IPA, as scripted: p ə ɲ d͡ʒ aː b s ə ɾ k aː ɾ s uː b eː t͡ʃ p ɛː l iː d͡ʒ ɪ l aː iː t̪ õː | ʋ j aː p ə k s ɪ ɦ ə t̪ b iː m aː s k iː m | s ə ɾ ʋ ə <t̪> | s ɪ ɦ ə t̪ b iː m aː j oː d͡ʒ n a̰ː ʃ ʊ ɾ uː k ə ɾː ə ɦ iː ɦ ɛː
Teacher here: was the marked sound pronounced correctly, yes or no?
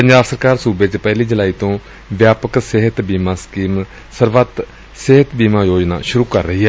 yes